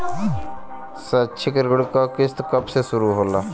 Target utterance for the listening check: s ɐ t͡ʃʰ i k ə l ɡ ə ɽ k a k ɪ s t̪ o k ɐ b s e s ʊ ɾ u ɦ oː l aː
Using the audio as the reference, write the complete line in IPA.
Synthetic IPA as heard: s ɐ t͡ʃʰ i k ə ɾ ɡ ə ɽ k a k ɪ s t̪ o k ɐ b s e s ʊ ɾ u ɦ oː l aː